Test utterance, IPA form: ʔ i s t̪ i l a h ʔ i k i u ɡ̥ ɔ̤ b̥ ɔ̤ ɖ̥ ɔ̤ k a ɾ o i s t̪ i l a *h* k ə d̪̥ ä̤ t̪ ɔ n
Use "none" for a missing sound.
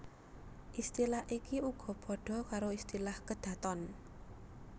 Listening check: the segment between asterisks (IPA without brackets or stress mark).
h